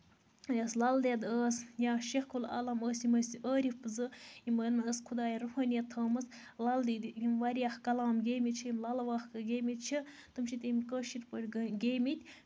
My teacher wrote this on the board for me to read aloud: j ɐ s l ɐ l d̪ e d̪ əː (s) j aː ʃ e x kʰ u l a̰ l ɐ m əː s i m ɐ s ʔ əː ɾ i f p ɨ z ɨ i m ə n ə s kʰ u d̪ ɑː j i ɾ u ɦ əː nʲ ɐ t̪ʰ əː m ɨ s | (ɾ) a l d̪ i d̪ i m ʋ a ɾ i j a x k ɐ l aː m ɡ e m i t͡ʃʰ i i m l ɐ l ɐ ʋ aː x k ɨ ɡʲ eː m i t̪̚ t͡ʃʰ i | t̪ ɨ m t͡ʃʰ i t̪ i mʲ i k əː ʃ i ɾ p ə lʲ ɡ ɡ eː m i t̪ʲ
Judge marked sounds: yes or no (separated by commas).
yes, no